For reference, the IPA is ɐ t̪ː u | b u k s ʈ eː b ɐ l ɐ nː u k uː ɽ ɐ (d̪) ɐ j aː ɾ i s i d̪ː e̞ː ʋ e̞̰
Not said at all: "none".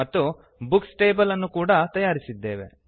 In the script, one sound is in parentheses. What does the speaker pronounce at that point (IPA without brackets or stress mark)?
t̪